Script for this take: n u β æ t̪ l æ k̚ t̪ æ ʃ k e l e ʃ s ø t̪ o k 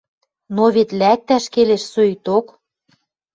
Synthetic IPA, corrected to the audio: n o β e t̪ l æ k̚ t̪ æ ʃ k e l e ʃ s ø t̪ o k